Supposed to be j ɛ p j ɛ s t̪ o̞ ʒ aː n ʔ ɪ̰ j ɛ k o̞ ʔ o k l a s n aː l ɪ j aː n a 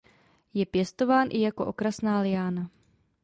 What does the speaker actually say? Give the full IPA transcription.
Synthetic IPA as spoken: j ɛ p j ɛ s t̪ o̞ v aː n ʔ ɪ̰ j a k o̞ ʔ o k ɾ a s n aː l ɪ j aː n a